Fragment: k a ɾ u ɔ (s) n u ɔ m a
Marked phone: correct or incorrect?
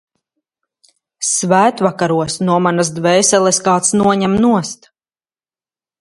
correct